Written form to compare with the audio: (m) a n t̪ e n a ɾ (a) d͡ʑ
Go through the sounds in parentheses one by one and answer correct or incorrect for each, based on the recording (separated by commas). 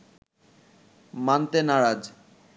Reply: correct, correct